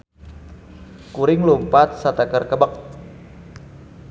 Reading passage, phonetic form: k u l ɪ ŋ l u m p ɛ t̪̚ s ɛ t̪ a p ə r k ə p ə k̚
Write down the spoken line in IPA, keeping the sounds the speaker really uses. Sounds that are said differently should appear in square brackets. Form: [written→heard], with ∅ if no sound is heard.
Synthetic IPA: k u [l→ɾ] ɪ ŋ l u m p [ɛ→a] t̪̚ s [ɛ→a] t̪ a [p→k] ə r k ə [p→b] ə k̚